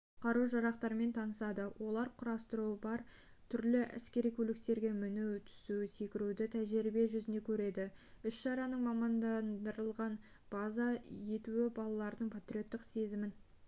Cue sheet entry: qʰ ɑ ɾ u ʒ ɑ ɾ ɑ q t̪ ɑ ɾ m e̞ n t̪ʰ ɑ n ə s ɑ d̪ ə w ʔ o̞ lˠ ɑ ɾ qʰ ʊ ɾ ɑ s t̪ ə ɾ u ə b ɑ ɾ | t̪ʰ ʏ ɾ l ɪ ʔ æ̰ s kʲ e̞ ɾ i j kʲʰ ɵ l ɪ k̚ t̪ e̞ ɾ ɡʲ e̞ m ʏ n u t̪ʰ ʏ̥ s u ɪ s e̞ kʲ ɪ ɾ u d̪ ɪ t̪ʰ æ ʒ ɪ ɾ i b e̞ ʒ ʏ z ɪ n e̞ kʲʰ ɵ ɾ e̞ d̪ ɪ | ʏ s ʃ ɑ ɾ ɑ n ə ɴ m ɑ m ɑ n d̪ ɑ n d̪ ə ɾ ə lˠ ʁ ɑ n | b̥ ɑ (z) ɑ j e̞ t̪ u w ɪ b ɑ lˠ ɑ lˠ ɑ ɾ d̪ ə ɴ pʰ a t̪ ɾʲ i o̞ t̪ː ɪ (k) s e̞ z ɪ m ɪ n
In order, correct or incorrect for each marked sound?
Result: correct, incorrect: q

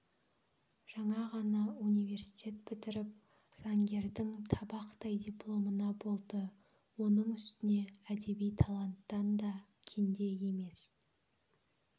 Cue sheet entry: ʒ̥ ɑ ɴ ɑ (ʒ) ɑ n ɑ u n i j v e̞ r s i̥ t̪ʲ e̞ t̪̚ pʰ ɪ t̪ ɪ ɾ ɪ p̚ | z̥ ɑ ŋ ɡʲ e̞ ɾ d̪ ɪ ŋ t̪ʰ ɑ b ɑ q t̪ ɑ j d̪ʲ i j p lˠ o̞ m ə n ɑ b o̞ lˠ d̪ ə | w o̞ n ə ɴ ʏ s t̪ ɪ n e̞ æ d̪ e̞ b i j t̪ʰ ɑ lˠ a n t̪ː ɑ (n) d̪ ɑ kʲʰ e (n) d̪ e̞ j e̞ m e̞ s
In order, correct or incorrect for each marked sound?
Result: incorrect: ʁ, correct, correct

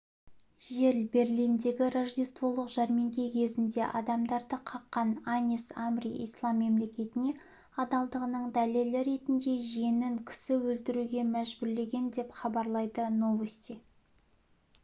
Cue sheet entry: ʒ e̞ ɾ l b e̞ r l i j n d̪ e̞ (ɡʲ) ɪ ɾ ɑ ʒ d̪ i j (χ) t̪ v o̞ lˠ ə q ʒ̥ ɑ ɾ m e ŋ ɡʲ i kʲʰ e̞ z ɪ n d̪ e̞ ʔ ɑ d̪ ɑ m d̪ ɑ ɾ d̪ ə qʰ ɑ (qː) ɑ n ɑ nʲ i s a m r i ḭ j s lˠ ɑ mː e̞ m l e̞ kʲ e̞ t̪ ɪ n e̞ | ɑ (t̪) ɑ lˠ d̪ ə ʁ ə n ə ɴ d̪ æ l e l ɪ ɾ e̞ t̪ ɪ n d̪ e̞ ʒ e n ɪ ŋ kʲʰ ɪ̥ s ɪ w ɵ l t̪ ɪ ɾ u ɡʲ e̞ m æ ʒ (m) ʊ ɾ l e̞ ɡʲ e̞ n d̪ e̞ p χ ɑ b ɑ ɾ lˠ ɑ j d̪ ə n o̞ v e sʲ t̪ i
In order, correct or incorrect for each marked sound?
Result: correct, incorrect: s, correct, incorrect: d̪, incorrect: b

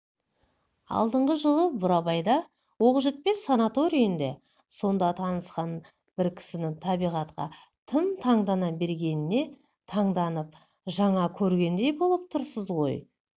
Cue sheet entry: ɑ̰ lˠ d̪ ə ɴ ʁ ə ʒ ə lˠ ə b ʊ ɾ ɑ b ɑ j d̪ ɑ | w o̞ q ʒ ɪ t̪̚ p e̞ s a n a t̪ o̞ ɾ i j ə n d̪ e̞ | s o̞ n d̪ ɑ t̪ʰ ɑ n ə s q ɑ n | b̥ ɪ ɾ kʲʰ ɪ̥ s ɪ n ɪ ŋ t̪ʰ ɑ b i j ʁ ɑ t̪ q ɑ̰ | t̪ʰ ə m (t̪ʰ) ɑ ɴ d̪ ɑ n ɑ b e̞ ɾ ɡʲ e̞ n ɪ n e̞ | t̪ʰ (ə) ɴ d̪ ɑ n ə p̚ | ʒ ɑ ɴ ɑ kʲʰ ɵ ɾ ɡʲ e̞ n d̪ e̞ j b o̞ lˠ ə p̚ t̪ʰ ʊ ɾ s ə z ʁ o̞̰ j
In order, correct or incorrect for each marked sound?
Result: correct, incorrect: ɑ

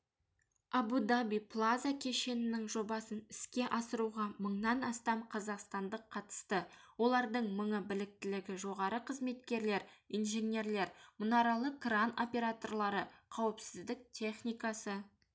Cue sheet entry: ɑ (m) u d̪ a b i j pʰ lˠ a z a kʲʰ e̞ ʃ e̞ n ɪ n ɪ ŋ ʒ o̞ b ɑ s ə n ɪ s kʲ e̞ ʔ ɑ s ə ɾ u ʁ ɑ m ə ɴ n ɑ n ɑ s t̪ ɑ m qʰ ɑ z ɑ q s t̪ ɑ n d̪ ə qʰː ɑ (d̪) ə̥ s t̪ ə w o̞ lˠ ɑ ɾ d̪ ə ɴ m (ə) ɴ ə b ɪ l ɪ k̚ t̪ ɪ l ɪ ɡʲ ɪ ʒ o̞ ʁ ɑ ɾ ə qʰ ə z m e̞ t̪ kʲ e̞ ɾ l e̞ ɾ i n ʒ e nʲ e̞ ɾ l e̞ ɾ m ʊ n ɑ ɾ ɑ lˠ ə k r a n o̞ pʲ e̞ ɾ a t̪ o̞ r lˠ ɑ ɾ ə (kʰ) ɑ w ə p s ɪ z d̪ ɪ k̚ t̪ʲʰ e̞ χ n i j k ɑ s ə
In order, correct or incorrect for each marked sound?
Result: incorrect: b, incorrect: t̪, correct, incorrect: qʰ

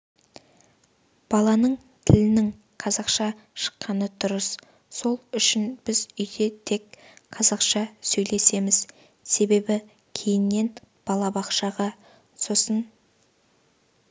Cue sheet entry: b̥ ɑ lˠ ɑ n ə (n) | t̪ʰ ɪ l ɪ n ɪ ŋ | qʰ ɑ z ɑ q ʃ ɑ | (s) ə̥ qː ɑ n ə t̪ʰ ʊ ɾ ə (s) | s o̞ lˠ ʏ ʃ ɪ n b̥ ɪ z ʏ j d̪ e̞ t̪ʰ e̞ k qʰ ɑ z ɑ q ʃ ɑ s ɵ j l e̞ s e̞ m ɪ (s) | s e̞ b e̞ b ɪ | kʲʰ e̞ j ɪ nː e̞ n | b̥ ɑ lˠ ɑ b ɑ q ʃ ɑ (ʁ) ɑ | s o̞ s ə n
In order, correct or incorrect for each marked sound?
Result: incorrect: ɴ, incorrect: ʃ, correct, incorrect: z, correct

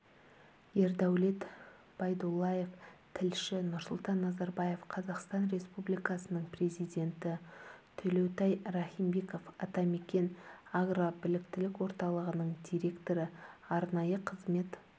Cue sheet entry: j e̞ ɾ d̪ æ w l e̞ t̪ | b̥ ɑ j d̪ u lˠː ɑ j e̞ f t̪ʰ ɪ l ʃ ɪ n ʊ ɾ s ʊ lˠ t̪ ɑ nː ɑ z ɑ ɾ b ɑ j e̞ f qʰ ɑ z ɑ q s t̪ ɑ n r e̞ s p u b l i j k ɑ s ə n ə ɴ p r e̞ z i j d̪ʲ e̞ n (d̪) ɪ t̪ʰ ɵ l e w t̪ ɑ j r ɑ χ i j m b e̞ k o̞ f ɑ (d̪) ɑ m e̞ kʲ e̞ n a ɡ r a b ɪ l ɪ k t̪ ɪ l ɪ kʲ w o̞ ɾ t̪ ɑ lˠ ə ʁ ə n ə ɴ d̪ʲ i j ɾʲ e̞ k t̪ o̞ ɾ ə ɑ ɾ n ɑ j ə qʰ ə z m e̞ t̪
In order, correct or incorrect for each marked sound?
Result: incorrect: t̪, incorrect: t̪

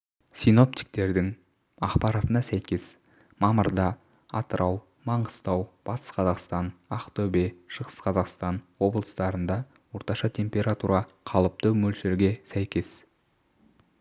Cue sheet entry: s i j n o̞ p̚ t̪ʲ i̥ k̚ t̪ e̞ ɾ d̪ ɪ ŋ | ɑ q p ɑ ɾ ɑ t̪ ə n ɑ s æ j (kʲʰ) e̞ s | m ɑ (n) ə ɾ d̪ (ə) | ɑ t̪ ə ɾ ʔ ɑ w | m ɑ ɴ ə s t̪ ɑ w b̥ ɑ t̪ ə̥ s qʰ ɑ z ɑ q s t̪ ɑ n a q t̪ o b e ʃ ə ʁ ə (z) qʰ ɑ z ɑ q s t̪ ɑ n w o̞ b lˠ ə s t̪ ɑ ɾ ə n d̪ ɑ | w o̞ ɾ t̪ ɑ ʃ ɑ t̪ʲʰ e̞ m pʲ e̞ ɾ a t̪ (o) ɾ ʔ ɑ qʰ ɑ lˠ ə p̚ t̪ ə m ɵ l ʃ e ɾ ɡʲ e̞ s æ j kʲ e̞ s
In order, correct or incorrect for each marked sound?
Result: incorrect: kʲ, incorrect: m, incorrect: ɑ, incorrect: s, incorrect: u

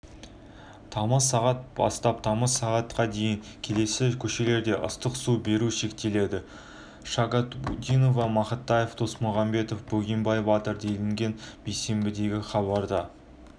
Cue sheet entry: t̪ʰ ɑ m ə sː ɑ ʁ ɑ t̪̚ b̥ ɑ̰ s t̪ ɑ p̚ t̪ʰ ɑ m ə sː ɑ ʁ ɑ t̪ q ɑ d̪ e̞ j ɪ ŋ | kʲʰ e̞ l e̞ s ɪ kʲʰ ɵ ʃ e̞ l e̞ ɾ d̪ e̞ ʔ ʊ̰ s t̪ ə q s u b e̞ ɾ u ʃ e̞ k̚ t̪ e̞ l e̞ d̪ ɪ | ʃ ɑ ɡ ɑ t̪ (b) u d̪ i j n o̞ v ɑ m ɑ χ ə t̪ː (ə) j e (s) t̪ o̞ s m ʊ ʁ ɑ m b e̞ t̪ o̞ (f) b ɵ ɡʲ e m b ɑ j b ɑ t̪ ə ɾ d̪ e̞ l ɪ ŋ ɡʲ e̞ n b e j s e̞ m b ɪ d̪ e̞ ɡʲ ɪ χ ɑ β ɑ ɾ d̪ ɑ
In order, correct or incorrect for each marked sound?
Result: correct, incorrect: ɑ, incorrect: f, correct

